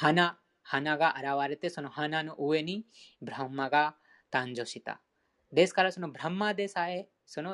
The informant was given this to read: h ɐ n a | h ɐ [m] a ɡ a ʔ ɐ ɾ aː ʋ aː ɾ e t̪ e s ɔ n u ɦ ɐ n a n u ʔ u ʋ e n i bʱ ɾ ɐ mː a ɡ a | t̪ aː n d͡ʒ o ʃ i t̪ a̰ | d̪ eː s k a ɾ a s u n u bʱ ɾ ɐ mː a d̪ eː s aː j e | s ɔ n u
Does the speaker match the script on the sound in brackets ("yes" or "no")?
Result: no